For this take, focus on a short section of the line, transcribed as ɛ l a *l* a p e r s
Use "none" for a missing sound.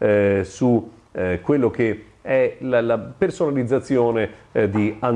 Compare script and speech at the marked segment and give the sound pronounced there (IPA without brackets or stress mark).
l